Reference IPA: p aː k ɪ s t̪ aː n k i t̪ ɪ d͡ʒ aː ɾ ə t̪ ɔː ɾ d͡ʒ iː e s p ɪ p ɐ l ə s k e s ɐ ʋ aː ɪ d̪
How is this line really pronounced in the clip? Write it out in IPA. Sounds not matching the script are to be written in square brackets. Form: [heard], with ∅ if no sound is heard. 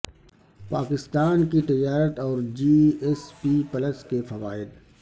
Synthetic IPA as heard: p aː k ɪ s t̪ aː n k i t̪ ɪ d͡ʒ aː ɾ ə t̪ ɔː ɾ d͡ʒ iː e s p [i] p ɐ l ə s k e [f] ɐ ʋ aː ɪ d̪